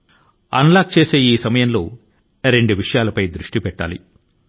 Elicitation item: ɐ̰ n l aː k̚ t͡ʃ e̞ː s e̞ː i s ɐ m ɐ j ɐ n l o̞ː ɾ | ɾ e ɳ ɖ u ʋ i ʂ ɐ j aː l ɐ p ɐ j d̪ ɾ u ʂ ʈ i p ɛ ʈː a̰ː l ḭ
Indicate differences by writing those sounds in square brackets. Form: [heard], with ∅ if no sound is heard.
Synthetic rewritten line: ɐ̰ n l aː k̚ t͡ʃ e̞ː s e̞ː [iː] s ɐ m ɐ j ɐ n l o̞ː [∅] | ɾ e ɳ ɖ u ʋ i ʂ ɐ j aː l ɐ p ɐ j d̪ ɾ u ʂ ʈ i p ɛ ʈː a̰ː l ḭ